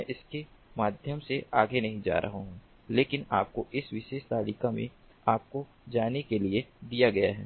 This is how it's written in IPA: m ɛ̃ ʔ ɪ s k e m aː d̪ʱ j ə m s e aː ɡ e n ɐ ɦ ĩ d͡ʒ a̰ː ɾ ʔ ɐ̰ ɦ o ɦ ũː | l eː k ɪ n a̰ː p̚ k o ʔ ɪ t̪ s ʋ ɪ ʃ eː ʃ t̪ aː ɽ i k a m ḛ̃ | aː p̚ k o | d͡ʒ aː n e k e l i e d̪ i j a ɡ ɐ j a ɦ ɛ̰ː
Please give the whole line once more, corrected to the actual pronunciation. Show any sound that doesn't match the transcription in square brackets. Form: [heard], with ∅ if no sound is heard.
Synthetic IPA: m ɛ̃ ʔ ɪ s k e m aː d̪ʱ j ə m s e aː ɡ e n ɐ ɦ ĩ d͡ʒ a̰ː ɾ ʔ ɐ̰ ɦ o ɦ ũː | l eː k ɪ n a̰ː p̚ k o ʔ ɪ [∅] s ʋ ɪ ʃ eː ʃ t̪ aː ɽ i k a m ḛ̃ | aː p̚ k o | d͡ʒ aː n e k e l i e d̪ i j a ɡ ɐ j a ɦ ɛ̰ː